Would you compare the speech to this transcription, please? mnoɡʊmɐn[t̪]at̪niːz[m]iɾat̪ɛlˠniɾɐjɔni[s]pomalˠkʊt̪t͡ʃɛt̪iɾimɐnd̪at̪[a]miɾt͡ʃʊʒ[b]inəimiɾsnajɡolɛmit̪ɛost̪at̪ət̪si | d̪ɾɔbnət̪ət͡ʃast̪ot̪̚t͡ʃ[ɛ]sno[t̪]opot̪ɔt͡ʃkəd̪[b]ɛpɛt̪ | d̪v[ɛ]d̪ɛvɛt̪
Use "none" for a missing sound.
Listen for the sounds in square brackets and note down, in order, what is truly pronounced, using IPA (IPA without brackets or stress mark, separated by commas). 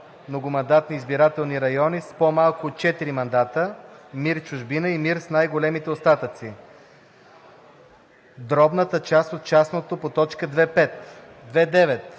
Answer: d̪, b, s, ə, b, a, t̪, v, ɛ